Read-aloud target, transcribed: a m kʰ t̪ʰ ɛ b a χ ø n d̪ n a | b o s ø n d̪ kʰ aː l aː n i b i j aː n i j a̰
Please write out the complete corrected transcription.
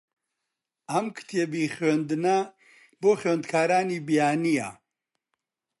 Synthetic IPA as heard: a m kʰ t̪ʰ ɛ b i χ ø n d̪ n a | b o χ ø n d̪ kʰ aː ɾ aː n i b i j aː n i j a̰

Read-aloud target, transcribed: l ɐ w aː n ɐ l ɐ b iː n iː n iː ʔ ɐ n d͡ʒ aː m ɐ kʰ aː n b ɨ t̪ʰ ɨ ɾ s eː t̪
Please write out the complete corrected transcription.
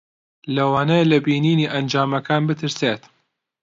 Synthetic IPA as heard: l ɐ w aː n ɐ l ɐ b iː n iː n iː ʔ ɐ n d͡ʒ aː m ɐ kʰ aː n b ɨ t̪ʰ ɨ ɾ s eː t̪

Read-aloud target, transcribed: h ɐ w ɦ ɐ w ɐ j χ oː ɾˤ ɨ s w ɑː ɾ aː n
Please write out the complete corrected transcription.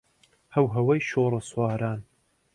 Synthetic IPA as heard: h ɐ w ɦ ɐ w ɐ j ʃ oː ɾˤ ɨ s w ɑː ɾ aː n

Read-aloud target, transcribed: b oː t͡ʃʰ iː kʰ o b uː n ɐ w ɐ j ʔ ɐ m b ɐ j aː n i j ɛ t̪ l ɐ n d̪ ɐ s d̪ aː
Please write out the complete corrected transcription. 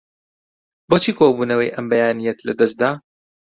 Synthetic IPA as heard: b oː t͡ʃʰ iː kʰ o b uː n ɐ w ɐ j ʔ ɐ m b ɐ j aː n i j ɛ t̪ l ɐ d̪ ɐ s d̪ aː

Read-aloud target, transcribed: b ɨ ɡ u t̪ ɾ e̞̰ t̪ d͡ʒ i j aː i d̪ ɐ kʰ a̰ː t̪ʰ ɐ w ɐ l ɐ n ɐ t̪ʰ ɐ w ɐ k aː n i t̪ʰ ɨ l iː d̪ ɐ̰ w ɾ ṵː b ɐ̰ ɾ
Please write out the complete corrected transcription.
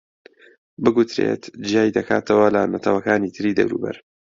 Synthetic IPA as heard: b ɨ ɡ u t̪ ɾ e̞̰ t̪ d͡ʒ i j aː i d̪ ɐ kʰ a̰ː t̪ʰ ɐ w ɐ l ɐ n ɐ t̪ʰ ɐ w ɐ k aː n i t̪ʰ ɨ ɾ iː d̪ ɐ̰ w ɾ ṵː b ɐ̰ ɾ

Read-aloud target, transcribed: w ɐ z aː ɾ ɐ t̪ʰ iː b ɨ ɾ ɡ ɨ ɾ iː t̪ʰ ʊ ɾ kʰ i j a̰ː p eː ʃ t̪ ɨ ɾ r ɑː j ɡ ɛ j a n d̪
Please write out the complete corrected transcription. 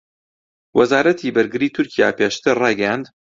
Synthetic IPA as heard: w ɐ z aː ɾ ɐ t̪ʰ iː b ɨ ɾ ɡ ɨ ɾ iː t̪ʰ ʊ ɾ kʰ i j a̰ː p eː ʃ t̪ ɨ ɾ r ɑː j ɡ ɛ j a n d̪

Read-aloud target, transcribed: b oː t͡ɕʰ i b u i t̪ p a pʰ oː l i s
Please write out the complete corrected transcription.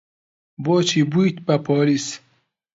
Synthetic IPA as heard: b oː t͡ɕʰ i b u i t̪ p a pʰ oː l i s

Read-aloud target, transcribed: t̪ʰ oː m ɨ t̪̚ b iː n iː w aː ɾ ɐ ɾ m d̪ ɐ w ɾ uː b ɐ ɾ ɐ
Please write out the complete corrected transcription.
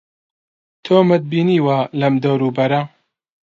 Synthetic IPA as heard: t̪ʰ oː m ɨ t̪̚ b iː n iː w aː l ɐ m d̪ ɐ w ɾ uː b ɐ ɾ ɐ

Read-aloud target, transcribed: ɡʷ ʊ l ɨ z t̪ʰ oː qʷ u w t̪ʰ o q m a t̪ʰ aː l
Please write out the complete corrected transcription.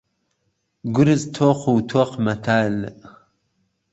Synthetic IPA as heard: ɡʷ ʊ ɾ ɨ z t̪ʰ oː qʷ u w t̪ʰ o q m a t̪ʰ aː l

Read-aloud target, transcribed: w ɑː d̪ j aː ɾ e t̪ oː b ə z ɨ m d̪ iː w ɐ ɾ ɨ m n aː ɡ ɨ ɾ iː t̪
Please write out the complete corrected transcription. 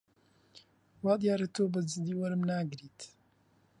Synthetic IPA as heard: w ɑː d̪ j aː ɾ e t̪ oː b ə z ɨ d̪ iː w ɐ ɾ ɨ m n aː ɡ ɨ ɾ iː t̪

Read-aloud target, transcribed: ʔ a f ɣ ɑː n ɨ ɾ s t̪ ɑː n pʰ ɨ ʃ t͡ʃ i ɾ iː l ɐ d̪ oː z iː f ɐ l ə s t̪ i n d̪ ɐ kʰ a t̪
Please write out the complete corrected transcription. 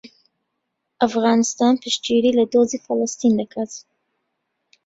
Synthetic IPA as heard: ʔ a f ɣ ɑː n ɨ s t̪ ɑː n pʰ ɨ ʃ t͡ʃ i ɾ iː l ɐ d̪ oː z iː f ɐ l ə s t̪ i n d̪ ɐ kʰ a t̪

